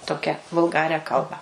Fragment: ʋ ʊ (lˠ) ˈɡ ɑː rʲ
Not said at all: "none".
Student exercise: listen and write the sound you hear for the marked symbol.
lˠ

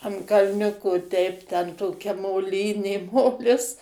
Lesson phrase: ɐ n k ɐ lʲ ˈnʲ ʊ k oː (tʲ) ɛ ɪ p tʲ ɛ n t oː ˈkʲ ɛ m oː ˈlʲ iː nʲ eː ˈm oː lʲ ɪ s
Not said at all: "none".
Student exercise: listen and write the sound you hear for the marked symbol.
tʲ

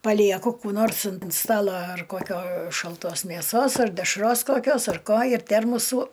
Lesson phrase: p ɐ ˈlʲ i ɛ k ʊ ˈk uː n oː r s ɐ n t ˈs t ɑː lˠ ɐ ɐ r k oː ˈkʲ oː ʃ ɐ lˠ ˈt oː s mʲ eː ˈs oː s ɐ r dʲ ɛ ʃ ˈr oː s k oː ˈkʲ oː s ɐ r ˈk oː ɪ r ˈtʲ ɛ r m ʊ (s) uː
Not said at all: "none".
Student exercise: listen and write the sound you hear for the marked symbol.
s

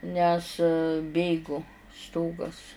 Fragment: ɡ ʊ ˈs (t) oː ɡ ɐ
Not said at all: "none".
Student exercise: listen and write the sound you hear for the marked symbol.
t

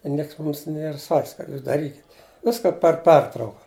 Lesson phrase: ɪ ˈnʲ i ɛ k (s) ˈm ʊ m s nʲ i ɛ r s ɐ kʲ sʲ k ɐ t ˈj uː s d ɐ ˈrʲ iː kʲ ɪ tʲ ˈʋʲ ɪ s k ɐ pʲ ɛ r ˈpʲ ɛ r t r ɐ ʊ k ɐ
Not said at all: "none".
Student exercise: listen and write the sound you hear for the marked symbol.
s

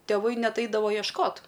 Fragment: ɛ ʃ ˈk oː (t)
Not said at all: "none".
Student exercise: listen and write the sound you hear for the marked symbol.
t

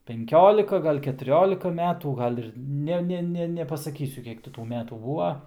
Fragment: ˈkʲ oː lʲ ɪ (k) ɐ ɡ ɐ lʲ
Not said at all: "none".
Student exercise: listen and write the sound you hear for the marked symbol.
k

